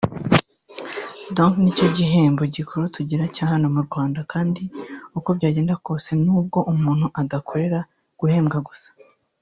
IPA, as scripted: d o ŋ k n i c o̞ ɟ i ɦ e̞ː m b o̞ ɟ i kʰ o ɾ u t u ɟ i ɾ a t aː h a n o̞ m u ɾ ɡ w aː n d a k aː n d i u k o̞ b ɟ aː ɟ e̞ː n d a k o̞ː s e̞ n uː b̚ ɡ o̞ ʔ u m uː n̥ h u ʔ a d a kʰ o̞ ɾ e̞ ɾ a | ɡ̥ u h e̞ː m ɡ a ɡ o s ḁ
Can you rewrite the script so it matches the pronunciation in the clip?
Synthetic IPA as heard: d o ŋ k n i c o̞ ɟ i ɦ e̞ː m b o̞ ɟ i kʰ o ɾ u t u ɟ i ɾ a c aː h a n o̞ m u ɾ ɡ w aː n d a k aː n d i u k o̞ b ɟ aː ɟ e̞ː n d a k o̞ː s e̞ n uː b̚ ɡ o̞ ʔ u m uː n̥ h u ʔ a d a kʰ o̞ ɾ e̞ ɾ a | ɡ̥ u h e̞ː m ɡ a ɡ u s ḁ